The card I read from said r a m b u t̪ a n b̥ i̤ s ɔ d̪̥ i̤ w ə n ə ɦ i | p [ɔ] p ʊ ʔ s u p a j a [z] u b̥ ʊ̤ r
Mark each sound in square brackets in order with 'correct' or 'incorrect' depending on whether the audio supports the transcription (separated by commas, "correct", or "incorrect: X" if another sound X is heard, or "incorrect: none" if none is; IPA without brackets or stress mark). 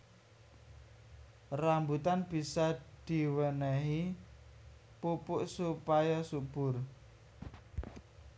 incorrect: u, incorrect: s